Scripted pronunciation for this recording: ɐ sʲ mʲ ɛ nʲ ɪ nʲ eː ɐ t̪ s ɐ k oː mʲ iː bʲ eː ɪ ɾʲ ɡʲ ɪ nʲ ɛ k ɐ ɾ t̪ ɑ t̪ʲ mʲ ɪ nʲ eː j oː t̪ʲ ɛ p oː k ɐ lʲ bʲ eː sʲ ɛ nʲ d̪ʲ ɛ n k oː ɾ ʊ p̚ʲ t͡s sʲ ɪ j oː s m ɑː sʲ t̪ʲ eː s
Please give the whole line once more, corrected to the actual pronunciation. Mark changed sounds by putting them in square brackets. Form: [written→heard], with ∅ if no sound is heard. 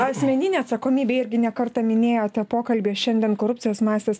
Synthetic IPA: ɐ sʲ mʲ ɛ nʲ ɪ nʲ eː ɐ t̪ s ɐ k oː mʲ iː bʲ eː ɪ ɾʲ ɡʲ ɪ nʲ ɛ k ɐ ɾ t̪ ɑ [t̪ʲ→∅] mʲ ɪ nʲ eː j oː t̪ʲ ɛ p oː k ɐ lʲ bʲ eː [sʲ→ʃʲ] ɛ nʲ d̪ʲ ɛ n k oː ɾ ʊ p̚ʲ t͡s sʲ ɪ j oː s m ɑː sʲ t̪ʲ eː s